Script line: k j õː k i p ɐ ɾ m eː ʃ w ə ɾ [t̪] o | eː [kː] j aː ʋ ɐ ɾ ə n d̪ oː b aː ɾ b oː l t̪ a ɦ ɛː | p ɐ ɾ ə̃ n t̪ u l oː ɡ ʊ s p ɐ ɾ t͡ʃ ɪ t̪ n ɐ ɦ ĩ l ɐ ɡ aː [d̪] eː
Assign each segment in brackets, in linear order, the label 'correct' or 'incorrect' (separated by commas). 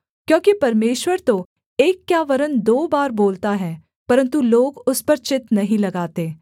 correct, correct, incorrect